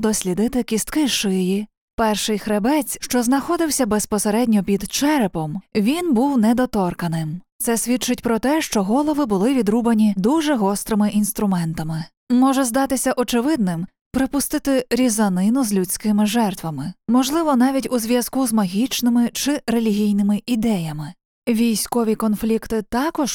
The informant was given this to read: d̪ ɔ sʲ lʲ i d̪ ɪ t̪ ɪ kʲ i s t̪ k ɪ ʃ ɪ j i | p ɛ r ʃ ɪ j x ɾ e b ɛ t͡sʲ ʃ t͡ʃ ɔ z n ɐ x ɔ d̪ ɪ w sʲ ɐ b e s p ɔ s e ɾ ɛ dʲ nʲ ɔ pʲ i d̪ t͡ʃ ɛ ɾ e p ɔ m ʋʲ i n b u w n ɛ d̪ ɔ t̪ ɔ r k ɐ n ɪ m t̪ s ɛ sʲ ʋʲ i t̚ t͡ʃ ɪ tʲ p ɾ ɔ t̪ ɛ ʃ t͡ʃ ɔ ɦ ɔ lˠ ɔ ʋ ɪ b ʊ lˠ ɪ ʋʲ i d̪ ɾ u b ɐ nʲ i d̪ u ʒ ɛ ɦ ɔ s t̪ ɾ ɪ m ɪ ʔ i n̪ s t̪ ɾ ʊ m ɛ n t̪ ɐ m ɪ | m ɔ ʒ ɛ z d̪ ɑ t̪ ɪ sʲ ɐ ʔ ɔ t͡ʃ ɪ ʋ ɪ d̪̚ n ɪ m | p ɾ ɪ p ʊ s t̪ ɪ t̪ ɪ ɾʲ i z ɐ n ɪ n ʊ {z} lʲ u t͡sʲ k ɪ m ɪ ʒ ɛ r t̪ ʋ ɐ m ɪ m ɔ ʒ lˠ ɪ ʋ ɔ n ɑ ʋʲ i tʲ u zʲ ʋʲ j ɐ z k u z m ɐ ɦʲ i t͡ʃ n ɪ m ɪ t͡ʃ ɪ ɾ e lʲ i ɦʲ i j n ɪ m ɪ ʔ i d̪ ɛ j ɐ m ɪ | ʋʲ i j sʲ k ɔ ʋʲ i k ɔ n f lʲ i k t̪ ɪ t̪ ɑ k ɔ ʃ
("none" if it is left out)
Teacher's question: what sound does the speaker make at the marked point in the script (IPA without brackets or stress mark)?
z